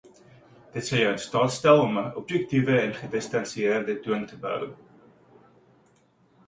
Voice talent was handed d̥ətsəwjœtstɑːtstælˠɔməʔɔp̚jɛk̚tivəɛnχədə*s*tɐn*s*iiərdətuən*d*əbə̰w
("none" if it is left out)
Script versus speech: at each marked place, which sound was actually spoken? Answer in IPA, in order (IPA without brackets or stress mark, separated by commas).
s, s, t